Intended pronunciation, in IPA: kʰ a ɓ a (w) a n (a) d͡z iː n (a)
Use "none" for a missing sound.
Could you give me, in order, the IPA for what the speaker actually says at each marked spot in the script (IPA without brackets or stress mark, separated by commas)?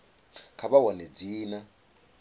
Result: w, e, a